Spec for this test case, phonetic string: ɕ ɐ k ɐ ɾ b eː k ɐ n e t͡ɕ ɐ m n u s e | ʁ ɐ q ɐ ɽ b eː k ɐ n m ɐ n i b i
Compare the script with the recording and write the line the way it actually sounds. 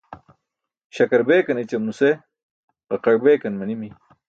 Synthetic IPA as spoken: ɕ ɐ k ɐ ɾ b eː k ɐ n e t͡ɕ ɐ m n u s e | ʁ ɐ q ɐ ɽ b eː k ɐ n m ɐ n i m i